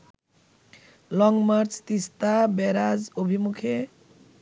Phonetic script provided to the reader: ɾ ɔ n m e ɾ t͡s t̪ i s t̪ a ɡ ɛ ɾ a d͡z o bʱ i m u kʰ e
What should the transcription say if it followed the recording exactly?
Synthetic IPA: l ɔ ŋ m a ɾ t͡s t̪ i s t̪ a b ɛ ɾ a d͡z o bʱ i m u kʰ e